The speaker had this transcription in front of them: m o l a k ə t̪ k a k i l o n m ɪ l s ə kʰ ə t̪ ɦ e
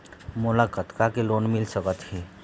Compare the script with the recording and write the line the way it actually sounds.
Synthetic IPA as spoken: m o l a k ə t̪ k a k e l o n m i l s ə k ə t̪ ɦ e